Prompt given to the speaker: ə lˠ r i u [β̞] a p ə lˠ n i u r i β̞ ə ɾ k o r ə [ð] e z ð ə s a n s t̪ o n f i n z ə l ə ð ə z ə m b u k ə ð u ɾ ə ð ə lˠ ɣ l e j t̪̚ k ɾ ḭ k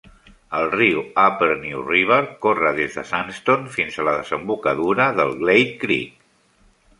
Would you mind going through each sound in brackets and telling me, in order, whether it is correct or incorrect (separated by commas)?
incorrect, correct